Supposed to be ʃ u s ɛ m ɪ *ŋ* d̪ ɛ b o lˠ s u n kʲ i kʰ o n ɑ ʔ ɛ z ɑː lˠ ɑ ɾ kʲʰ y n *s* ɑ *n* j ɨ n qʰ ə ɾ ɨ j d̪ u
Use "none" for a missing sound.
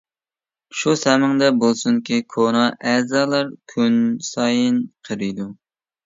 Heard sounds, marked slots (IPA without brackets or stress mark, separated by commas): ŋ, s, none